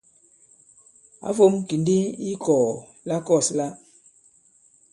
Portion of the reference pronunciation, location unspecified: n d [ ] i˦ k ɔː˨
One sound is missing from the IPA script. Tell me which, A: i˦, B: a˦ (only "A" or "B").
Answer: A